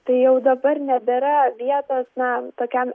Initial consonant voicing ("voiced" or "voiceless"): voiceless